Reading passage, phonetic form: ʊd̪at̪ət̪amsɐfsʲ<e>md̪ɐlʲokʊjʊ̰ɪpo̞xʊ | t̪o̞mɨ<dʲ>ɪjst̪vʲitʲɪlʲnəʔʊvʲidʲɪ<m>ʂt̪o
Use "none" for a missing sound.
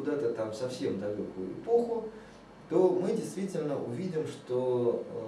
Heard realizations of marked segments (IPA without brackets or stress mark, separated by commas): e, dʲ, m